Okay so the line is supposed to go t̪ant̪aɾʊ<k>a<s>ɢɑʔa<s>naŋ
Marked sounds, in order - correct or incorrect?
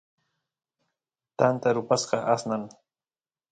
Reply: incorrect: p, correct, correct

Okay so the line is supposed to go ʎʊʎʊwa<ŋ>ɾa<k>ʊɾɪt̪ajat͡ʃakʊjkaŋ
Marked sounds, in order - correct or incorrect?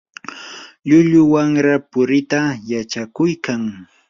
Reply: correct, incorrect: p

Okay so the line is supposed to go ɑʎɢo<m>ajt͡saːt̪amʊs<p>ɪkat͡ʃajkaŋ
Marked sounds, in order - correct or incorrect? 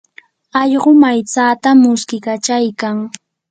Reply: correct, incorrect: k

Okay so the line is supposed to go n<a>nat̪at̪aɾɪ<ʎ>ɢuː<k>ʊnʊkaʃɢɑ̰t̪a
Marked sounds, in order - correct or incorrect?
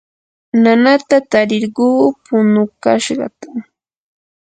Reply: correct, incorrect: ɾ, incorrect: p

